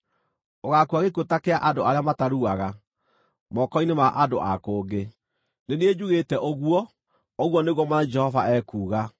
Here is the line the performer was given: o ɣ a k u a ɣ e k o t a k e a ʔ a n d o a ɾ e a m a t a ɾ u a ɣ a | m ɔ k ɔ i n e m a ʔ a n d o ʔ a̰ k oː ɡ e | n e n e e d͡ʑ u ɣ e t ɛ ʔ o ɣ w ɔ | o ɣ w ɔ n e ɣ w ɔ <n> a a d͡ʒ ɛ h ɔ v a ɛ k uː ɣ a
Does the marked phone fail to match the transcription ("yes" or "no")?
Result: yes